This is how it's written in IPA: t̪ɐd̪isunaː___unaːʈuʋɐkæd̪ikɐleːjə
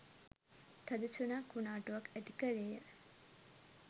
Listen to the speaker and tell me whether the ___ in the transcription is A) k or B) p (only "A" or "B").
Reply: A